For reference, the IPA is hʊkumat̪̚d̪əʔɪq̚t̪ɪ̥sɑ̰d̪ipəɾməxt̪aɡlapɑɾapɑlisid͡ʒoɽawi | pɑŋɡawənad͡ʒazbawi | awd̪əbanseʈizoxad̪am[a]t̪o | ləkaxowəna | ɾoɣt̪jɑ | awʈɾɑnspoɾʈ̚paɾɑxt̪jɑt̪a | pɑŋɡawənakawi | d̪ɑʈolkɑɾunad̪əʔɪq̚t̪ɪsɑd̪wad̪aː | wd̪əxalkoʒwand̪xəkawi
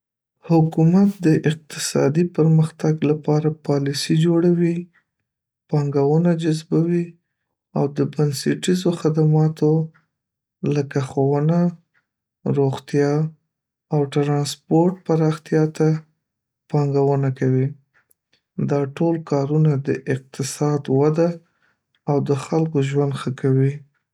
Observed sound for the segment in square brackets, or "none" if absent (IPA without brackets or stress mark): ɑ